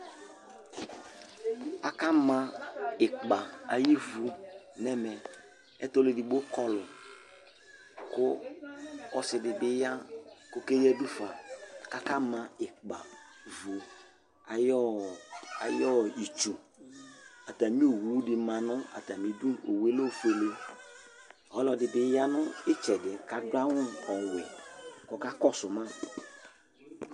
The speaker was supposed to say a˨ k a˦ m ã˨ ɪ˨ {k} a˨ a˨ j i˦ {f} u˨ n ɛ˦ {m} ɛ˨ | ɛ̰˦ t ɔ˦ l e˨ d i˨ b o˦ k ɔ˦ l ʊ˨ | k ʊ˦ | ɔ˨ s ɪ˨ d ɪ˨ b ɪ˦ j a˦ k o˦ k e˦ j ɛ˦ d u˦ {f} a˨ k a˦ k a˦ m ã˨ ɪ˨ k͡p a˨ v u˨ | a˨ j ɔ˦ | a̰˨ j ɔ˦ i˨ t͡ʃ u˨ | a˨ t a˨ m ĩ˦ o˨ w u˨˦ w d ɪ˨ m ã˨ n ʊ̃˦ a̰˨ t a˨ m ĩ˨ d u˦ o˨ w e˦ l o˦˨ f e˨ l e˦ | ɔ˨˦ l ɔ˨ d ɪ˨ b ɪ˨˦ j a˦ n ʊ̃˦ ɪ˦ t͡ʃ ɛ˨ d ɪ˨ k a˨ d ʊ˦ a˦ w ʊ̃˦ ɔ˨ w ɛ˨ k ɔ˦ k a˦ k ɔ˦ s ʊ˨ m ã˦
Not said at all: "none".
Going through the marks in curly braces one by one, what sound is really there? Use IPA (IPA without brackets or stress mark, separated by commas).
k͡p, v, m, f